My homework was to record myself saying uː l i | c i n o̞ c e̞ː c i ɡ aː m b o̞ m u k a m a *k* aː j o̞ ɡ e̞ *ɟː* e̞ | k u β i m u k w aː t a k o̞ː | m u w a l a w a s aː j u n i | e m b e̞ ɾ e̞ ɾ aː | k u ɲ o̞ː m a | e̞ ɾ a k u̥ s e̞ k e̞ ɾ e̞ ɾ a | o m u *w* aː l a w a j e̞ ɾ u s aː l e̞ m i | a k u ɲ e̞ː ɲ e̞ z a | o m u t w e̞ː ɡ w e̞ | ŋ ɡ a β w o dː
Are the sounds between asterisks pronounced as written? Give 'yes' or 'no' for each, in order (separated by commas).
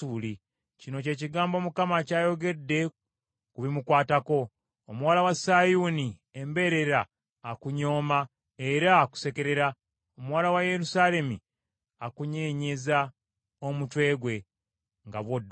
no, no, yes